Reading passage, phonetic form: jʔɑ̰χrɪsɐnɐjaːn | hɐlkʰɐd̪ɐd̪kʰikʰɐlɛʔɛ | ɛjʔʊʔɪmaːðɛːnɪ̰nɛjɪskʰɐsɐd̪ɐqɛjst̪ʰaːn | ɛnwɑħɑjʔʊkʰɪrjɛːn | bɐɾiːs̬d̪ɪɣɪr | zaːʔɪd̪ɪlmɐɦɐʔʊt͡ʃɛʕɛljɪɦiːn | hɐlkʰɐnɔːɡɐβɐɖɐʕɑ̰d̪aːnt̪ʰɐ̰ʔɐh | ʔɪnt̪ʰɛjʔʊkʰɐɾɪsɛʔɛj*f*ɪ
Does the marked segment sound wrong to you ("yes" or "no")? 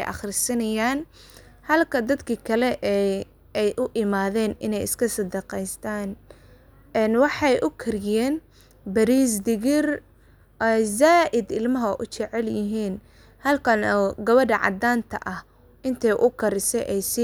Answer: yes